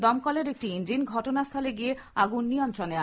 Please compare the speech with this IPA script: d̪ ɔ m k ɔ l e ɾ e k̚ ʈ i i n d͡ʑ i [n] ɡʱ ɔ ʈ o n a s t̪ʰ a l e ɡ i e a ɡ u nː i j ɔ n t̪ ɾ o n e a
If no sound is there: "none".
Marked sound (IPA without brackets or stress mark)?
n